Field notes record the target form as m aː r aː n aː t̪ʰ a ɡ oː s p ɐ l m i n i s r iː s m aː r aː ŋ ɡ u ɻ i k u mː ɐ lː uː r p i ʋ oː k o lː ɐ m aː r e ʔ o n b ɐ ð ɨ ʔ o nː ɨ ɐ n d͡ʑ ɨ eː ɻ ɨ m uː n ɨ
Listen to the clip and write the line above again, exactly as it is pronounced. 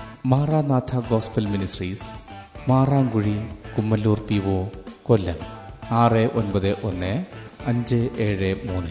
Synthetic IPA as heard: m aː r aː n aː t̪ʰ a ɡ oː s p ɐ l m i n i s r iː s m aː r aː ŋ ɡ u ɻ i k u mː ɐ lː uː r p i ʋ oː k o lː ɐ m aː r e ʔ o n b ɐ ð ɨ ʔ o nː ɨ ɐ ɲ d͡ʑ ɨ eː ɻ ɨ m uː n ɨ